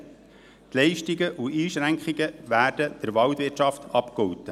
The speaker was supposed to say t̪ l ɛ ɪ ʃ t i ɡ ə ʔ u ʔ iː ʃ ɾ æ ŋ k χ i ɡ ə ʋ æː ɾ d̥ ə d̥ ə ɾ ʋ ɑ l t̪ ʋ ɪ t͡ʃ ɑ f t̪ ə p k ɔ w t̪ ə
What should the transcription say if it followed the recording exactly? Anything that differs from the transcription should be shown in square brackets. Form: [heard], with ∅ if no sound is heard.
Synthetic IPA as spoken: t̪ l ɛ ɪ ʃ t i ɡ ə ʔ u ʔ iː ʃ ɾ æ ŋ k χ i ɡ ə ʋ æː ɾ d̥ ə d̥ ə ɾ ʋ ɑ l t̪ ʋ ɪ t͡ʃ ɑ f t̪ [ɑ] p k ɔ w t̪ ə

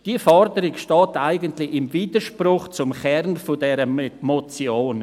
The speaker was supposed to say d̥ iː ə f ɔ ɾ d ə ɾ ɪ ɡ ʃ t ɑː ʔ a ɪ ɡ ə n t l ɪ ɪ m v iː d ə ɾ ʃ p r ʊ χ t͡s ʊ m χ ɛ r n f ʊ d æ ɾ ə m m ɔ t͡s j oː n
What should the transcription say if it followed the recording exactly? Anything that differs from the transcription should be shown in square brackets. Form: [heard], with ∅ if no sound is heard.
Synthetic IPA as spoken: d̥ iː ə f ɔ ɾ d ə ɾ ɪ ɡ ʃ t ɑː [t] a ɪ ɡ ə n t l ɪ ɪ m v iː d ə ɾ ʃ p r ʊ χ t͡s ʊ m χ ɛ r n f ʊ d [ɛ] ɾ ə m m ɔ t͡s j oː n

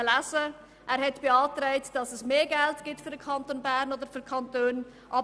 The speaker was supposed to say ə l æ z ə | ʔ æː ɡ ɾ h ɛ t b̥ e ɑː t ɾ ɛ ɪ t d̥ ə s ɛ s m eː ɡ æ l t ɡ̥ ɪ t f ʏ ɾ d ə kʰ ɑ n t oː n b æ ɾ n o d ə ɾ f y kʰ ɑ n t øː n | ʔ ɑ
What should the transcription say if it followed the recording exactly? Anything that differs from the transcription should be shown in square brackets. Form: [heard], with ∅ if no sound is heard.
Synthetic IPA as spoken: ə l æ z ə | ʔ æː [∅] ɾ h ɛ t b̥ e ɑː t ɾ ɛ ɪ t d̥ [ɑ] s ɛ s m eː ɡ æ l t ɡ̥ ɪ t f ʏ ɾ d ə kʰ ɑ n t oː n b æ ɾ n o d ə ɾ f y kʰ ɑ n t øː n | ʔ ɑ

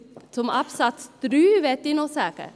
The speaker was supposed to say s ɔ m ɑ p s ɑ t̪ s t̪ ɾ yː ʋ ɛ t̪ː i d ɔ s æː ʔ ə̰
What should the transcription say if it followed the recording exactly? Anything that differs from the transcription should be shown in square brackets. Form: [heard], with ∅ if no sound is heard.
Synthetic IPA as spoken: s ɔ m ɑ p s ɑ t̪ s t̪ ɾ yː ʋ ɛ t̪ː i [n] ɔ s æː [k] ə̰

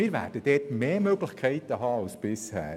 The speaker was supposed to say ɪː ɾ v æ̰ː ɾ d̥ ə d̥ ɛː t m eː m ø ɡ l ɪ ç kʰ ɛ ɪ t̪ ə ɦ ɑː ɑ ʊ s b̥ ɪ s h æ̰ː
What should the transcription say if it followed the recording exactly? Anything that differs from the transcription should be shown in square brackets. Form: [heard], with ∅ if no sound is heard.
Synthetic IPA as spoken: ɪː ɾ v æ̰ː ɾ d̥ ə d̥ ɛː t m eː m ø ɡ l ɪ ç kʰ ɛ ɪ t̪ ə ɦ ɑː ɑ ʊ s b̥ ɪ s h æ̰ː

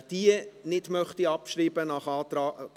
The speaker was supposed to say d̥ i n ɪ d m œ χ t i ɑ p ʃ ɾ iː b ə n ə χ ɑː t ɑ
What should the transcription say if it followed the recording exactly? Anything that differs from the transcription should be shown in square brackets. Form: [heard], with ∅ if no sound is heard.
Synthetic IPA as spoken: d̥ i n ɪ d m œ χ t i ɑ p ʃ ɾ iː b ə n [ɑ] χ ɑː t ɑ

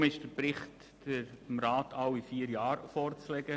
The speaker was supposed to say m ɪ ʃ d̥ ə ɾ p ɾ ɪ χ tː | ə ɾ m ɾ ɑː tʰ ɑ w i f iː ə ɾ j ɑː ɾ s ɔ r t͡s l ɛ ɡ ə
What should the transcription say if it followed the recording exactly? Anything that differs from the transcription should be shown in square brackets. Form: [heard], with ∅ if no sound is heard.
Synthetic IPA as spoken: m ɪ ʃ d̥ ə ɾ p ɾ ɪ χ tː | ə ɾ m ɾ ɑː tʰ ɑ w i f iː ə ɾ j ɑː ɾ [f] ɔ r t͡s l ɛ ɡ ə

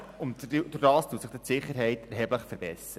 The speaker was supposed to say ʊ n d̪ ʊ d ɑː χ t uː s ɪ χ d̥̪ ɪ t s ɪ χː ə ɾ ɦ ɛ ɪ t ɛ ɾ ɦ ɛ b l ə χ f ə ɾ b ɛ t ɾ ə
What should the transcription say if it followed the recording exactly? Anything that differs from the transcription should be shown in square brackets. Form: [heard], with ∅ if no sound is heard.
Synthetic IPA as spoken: ʊ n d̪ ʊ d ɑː [s] t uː s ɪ χ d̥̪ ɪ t s ɪ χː ə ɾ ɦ ɛ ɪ t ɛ ɾ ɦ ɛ b l ə χ f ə ɾ b ɛ [s] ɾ ə

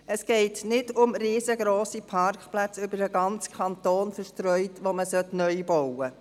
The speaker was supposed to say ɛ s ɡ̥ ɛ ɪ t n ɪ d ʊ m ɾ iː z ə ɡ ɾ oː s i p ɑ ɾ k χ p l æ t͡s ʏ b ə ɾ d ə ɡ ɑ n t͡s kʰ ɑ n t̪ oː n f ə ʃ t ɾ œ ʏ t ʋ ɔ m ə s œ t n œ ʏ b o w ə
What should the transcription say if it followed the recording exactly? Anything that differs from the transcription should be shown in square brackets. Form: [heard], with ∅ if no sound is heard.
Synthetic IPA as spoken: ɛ s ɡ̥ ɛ ɪ t n ɪ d ʊ m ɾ iː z ə ɡ ɾ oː s i [pʰ] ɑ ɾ k χ p l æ t͡s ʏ b ə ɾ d ə ɡ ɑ n t͡s kʰ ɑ n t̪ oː n f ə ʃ t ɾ œ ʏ t ʋ [o] m ə s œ t n œ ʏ b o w ə

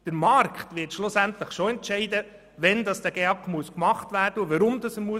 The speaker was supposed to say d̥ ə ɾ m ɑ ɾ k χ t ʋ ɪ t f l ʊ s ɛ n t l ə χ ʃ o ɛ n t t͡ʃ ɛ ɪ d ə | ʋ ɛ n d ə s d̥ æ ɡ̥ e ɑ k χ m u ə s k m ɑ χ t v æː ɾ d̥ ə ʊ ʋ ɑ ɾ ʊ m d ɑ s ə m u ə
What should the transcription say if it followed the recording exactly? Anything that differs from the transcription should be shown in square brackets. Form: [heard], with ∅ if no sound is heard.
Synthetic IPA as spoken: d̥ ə ɾ m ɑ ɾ k χ t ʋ ɪ t [ʃ] l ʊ s [æ] n t l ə χ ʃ o ɛ n t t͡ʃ ɛ ɪ d ə | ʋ ɛ n d [ɑ] s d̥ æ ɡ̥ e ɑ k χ m u ə s k m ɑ χ t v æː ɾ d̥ ə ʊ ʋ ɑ ɾ ʊ m d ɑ s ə m u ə

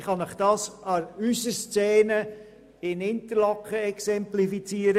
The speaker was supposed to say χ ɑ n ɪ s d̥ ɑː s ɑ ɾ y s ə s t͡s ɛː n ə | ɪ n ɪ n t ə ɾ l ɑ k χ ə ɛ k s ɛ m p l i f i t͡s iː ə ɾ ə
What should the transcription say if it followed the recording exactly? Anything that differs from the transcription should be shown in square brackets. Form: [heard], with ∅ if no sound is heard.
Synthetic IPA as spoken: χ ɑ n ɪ [χ] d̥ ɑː s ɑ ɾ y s ə s t͡s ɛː n ə | ɪ n ɪ n t ə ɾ l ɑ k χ ə ɛ k s ɛ m p l i f i t͡s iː ə ɾ ə

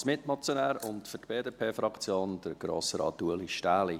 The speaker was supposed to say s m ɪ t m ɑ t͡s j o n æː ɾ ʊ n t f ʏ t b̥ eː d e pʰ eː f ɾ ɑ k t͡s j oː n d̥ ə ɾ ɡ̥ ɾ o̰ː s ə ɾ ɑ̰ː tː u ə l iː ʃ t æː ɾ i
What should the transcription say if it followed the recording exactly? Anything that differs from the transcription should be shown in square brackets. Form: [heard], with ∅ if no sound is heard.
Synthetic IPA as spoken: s m ɪ t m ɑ t͡s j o n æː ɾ ʊ n t f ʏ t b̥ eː d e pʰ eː f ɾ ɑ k t͡s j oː n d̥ ə ɾ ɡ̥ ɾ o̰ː s ə ɾ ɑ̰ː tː u ə l [i] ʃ t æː [l] i

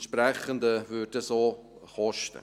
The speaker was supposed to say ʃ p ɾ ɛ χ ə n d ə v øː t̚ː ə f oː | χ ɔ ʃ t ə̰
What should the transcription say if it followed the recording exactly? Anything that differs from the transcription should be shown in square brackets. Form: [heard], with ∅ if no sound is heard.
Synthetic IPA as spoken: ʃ p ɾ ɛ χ ə n d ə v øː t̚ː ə [s] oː | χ ɔ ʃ t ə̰

